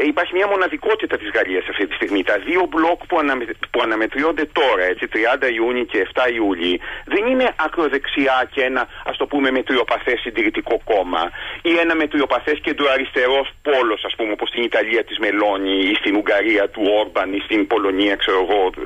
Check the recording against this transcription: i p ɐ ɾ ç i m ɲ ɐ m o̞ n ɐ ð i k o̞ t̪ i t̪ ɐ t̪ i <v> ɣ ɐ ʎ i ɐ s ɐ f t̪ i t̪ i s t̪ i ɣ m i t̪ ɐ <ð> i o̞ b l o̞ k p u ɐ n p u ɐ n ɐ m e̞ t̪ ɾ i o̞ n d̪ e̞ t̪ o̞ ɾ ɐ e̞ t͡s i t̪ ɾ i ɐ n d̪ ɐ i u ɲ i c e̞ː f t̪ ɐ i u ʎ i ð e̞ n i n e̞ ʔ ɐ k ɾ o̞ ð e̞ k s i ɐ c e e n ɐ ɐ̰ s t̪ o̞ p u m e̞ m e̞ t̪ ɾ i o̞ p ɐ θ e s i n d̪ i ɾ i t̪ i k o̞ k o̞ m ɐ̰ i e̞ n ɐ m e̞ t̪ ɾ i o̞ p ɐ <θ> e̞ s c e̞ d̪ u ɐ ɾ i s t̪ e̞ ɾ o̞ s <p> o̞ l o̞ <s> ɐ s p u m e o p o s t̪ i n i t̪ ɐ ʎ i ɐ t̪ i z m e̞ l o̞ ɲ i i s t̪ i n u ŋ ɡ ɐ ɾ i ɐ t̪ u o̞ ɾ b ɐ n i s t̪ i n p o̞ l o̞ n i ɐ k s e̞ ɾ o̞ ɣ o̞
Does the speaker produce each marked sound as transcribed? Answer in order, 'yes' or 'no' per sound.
no, yes, yes, yes, yes

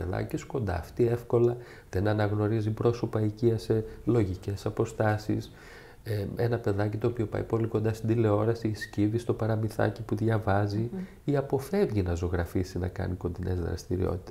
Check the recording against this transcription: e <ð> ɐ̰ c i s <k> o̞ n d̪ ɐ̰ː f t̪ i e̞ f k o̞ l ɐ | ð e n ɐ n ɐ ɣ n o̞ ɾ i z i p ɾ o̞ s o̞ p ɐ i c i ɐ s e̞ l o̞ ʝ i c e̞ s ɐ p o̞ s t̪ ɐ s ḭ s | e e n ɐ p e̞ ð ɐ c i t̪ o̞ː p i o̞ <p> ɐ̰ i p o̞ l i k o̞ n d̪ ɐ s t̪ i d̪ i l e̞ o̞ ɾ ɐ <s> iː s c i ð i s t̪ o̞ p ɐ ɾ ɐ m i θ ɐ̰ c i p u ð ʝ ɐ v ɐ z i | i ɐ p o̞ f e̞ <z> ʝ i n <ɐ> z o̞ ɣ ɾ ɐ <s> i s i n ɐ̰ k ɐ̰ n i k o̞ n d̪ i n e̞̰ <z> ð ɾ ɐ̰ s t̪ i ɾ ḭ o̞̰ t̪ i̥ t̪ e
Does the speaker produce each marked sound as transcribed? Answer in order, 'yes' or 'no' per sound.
yes, yes, yes, yes, no, yes, no, yes

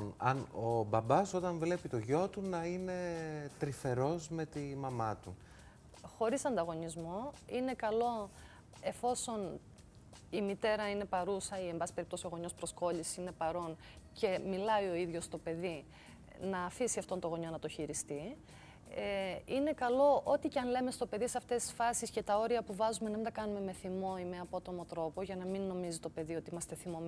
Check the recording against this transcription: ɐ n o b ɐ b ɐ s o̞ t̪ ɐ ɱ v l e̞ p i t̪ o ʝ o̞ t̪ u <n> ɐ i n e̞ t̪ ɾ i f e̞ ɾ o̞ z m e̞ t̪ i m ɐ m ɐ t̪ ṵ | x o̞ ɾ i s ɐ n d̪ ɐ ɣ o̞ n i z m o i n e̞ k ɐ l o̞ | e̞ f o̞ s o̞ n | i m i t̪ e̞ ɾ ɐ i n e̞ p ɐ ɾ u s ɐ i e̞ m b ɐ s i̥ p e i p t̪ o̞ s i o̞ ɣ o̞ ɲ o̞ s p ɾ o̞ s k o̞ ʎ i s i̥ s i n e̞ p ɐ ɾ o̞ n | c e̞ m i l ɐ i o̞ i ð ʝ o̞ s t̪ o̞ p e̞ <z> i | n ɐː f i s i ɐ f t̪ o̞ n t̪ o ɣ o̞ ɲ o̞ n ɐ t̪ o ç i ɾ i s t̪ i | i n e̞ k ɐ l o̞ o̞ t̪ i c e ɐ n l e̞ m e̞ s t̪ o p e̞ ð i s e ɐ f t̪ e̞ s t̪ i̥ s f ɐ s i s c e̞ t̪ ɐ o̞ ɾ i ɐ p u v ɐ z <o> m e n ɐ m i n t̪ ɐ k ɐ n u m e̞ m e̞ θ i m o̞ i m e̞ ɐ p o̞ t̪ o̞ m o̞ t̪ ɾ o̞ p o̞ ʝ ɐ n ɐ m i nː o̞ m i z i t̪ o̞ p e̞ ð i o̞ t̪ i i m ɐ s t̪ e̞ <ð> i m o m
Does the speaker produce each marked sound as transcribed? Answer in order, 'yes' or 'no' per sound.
yes, no, no, no

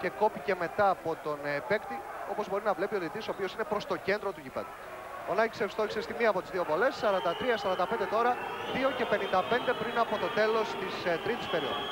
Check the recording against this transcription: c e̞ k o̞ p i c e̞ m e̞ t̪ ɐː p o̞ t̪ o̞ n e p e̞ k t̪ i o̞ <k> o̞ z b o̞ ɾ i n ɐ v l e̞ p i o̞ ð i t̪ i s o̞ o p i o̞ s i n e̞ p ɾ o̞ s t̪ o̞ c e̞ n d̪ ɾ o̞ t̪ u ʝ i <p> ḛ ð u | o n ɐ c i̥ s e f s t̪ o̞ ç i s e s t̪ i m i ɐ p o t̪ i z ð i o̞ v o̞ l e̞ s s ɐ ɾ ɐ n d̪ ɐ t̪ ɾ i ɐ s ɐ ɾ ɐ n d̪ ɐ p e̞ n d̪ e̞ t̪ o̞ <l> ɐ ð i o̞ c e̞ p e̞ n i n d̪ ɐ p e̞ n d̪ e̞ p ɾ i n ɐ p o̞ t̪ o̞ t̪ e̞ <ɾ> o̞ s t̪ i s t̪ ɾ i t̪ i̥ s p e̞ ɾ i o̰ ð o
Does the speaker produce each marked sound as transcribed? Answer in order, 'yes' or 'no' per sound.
no, yes, no, no

